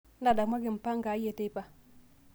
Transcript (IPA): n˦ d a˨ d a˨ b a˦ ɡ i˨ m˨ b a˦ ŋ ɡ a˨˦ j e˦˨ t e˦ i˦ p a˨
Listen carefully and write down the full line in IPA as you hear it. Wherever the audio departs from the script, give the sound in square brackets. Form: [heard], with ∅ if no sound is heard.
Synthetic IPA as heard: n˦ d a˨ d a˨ [m] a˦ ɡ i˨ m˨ [p] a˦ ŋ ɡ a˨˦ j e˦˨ t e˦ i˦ p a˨